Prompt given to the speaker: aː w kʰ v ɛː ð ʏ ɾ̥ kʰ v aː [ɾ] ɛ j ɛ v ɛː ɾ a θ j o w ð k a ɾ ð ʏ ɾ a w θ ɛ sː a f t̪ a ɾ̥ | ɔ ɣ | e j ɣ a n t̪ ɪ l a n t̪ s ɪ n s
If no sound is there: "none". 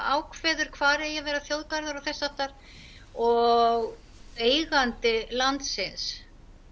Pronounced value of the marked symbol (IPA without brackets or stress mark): ɾ